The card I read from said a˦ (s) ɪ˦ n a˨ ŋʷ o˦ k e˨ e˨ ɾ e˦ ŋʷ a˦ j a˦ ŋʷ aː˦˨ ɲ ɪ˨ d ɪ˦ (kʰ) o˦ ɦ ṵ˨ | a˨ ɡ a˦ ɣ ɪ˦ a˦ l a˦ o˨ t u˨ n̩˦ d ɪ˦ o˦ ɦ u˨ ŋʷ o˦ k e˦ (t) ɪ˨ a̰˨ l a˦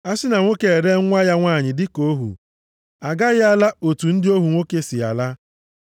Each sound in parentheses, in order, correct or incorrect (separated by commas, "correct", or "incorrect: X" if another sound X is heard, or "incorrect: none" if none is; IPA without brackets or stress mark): correct, incorrect: k, incorrect: s